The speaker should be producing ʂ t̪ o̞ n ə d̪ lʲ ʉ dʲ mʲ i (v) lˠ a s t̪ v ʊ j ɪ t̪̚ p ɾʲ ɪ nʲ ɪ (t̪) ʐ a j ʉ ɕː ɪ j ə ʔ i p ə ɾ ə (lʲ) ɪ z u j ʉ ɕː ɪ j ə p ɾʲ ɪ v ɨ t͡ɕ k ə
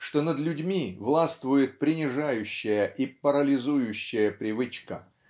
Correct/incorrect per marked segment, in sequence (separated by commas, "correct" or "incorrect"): correct, incorrect, correct